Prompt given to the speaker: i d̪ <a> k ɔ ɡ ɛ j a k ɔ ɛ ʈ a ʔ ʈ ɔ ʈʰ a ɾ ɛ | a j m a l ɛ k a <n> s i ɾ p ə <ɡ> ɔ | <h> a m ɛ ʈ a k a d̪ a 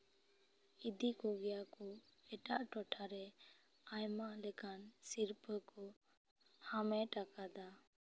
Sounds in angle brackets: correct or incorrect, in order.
incorrect: i, correct, incorrect: k, correct

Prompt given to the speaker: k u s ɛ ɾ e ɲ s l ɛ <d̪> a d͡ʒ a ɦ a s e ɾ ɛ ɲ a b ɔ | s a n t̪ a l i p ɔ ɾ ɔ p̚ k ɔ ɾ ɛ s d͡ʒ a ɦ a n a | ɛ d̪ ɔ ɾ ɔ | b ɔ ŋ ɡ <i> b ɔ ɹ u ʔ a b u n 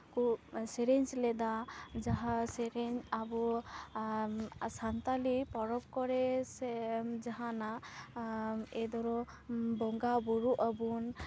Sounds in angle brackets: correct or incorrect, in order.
correct, incorrect: a

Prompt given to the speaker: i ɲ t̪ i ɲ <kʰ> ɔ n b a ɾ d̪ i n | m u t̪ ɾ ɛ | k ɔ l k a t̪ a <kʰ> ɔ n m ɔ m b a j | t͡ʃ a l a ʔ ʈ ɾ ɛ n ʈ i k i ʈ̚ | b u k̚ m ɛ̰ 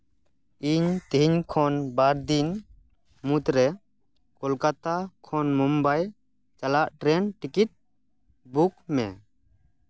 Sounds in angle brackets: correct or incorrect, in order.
correct, correct

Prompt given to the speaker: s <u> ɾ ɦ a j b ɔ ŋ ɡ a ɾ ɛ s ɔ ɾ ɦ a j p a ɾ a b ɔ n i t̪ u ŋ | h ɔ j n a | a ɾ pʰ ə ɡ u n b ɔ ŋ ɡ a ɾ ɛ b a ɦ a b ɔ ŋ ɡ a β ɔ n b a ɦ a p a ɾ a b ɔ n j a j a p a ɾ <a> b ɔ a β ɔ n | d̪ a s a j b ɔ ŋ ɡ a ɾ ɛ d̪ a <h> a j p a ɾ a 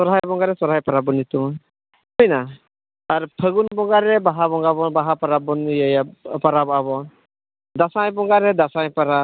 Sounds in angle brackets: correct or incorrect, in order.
incorrect: ɔ, correct, incorrect: s

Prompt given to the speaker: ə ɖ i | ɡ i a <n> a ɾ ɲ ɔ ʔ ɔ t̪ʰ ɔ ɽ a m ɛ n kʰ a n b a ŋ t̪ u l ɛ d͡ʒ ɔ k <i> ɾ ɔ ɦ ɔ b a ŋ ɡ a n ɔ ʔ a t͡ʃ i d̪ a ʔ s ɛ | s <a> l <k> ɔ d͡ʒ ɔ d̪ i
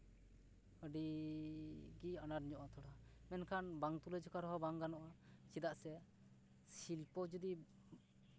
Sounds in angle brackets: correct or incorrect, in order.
correct, incorrect: a, incorrect: i, incorrect: p

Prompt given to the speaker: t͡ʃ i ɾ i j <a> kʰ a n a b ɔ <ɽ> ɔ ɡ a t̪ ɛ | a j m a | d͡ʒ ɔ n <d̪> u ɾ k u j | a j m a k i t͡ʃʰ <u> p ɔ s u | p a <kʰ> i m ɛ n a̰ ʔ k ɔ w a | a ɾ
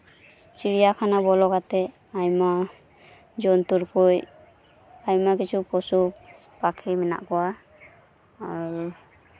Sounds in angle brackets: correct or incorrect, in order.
correct, incorrect: l, incorrect: t̪, correct, correct

